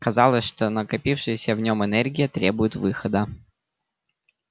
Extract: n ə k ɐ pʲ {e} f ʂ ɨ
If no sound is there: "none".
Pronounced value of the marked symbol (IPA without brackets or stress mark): i